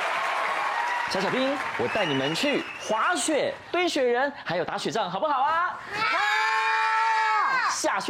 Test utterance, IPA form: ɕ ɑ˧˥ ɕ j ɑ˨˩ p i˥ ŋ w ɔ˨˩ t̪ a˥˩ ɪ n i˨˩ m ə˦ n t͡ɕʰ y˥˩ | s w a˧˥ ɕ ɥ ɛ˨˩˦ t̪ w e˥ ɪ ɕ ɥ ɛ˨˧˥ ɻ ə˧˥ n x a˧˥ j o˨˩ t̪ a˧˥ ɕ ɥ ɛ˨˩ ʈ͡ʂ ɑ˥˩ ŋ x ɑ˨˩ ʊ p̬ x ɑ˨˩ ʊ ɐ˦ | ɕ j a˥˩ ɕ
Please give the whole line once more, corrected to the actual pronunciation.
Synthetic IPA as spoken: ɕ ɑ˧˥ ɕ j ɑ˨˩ p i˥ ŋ w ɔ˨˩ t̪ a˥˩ ɪ n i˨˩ m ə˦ n t͡ɕʰ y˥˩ | x w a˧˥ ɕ ɥ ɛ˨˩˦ t̪ w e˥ ɪ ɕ ɥ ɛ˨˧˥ ɻ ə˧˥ n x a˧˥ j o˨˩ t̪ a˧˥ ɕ ɥ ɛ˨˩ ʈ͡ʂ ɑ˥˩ ŋ x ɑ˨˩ ʊ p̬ x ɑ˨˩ ʊ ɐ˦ | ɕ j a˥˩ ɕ